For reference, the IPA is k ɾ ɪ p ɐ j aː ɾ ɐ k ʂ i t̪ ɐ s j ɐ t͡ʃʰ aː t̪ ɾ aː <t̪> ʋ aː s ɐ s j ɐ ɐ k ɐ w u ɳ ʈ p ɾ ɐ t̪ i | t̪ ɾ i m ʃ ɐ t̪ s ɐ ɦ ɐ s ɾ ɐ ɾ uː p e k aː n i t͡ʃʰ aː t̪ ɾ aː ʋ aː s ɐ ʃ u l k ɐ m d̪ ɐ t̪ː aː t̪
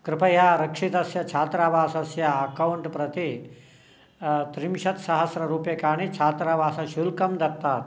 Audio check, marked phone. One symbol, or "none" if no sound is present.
none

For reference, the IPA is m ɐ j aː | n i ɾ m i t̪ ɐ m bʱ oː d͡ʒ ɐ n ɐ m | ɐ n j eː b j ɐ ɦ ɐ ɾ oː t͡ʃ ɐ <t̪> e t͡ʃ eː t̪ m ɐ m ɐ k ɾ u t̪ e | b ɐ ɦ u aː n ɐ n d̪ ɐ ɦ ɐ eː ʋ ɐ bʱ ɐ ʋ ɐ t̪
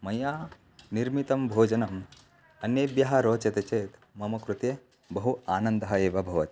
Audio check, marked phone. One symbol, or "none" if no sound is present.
t̪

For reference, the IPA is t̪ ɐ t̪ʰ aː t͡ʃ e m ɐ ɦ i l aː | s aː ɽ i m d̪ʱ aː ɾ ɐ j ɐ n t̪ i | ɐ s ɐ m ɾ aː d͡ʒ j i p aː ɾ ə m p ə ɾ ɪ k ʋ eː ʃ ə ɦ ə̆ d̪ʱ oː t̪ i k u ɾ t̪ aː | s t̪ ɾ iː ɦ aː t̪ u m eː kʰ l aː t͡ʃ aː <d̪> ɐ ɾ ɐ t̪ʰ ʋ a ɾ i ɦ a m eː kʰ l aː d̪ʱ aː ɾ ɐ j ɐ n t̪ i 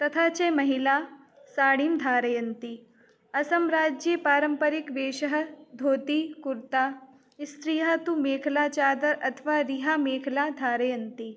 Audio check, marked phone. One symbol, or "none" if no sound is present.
d̪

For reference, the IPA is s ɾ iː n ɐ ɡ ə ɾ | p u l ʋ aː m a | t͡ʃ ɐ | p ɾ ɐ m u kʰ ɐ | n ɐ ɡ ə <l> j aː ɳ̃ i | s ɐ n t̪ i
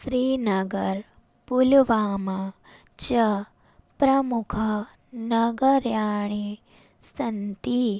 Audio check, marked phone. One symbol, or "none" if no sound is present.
ɾ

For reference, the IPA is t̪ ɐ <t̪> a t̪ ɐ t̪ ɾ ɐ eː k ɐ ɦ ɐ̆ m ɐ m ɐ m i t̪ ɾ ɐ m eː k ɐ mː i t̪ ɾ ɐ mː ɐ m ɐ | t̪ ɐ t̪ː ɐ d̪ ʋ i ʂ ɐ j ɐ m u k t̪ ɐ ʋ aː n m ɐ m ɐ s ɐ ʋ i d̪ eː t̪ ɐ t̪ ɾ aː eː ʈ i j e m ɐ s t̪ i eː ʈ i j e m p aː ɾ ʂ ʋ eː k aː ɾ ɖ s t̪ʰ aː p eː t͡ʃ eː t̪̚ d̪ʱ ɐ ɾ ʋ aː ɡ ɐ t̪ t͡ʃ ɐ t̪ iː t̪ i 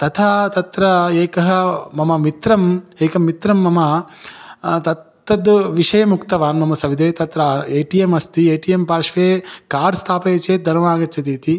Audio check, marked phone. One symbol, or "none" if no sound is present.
t̪ʰ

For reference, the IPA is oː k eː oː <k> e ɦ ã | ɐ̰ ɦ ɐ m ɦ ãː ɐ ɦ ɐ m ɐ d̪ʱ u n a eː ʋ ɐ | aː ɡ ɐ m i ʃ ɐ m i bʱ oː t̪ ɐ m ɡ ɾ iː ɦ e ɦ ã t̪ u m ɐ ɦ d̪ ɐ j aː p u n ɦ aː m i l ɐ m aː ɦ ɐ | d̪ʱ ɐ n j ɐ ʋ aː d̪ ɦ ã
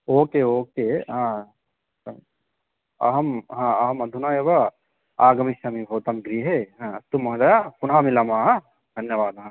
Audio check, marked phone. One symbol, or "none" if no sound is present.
k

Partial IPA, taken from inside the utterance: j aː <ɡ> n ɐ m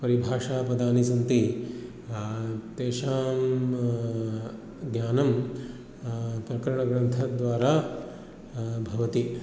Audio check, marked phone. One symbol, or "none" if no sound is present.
none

